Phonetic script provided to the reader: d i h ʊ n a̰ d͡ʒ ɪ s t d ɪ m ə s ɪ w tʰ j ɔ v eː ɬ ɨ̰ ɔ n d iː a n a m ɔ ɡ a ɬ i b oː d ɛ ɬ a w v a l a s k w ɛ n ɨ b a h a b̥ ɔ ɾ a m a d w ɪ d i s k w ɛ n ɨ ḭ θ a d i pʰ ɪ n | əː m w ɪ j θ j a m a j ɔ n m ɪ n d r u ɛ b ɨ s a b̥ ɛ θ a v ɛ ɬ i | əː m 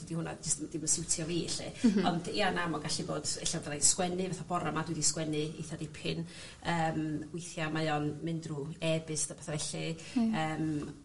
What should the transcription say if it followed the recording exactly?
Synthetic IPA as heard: d i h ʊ n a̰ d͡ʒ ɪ s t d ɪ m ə s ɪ w tʰ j ɔ v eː ɬ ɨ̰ ɔ n d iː a n a m ɔ ɡ a ɬ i b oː d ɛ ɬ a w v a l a s k w ɛ n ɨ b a θ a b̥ ɔ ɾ a m a d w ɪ d i s k w ɛ n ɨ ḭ θ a d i pʰ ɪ n | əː m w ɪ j θ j a m a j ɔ n m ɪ n d r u ɛ b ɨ s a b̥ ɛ θ a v ɛ ɬ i | əː m